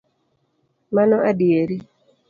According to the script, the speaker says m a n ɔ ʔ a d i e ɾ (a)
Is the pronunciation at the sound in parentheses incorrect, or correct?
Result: incorrect